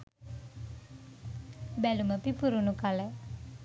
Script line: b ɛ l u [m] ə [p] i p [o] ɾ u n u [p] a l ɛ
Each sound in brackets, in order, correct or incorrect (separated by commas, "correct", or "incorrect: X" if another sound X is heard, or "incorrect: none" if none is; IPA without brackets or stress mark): correct, correct, incorrect: u, incorrect: k